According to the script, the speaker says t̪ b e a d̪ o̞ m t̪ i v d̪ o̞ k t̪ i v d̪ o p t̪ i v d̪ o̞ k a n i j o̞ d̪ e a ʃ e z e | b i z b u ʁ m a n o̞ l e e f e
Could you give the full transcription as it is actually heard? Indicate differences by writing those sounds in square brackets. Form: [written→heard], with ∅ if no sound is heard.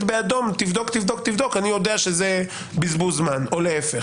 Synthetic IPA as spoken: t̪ b e a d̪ o̞ m t̪ i v d̪ o̞ k t̪ i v d̪ o [p→k] t̪ i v d̪ o̞ k a n i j o̞ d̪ e a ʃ e z e | b i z b u [ʁ→z] m a n o̞ l e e f e